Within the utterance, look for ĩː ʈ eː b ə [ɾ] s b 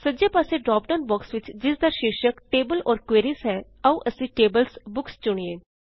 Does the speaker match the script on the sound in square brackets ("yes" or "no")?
no